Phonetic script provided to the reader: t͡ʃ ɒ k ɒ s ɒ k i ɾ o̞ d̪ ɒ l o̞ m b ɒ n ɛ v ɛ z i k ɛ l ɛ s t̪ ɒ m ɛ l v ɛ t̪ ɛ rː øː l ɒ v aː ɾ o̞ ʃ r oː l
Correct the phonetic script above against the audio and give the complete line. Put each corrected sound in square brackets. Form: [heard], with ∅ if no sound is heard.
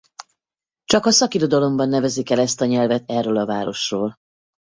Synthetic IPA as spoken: t͡ʃ ɒ k ɒ s ɒ k i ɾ o̞ d̪ ɒ l o̞ m b ɒ [nː] ɛ v ɛ z i k ɛ l ɛ s t̪ ɒ [ɲ] ɛ l v ɛ t̪ ɛ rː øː l ɒ v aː ɾ o̞ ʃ r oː l